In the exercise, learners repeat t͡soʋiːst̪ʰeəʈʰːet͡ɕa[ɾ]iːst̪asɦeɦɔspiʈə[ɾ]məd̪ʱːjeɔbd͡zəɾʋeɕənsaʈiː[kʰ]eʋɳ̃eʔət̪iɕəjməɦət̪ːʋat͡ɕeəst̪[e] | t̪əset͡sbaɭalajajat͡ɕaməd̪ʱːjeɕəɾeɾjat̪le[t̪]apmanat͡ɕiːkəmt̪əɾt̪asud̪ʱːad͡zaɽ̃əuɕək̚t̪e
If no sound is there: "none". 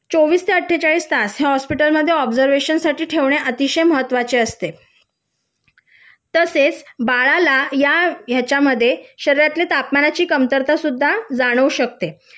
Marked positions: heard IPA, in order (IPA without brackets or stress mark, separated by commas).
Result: ɭ, l, ʈʰ, e, t̪